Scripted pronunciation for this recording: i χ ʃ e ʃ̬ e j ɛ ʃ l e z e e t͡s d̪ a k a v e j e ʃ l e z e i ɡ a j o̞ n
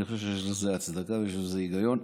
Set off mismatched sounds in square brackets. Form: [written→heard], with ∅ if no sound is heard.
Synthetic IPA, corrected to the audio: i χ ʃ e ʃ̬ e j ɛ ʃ l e z e [e→a] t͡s d̪ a k a v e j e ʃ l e z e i ɡ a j o̞ n